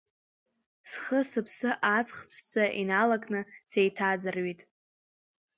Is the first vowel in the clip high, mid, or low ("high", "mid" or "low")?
mid